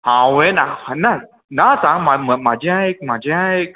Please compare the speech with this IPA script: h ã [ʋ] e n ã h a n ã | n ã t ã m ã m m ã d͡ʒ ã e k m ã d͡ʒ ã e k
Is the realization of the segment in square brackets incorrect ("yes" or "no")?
yes